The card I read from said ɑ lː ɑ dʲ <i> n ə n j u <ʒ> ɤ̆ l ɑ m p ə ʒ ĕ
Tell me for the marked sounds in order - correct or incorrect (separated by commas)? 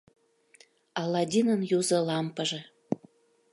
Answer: correct, incorrect